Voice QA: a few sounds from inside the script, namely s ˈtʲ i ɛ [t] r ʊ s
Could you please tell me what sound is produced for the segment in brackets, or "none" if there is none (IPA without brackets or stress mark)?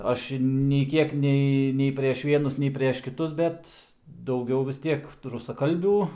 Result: k